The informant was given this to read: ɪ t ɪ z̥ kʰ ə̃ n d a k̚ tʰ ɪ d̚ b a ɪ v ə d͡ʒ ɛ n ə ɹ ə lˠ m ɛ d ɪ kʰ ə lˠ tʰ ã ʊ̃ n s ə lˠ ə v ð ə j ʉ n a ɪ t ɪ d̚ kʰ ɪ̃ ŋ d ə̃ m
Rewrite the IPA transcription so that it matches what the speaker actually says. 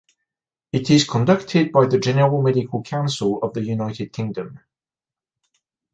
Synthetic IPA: ɪ t ɪ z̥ kʰ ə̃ n d ʌ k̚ tʰ ɪ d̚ b a ɪ ð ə d͡ʒ ɛ n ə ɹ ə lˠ m ɛ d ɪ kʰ ə lˠ kʰ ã ʊ̃ n s ə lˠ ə v ð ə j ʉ n a ɪ t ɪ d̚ kʰ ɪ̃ ŋ d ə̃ m